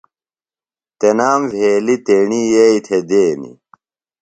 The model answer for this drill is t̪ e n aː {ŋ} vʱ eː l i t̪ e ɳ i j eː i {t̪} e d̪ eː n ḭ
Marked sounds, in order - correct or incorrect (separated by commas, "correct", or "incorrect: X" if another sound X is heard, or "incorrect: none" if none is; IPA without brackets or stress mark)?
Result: incorrect: m, incorrect: t̪ʰ